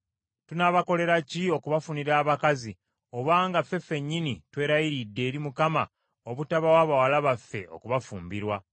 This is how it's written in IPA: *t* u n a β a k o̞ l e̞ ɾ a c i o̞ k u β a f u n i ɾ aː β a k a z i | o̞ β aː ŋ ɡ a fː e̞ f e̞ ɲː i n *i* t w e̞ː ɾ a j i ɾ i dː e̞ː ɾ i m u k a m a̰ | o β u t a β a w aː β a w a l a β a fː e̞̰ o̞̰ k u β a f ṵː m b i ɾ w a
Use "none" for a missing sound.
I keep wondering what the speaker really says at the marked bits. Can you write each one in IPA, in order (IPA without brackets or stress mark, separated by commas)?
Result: t, i